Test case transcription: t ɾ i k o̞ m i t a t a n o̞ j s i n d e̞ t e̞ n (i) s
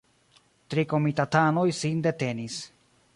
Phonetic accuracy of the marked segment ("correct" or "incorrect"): correct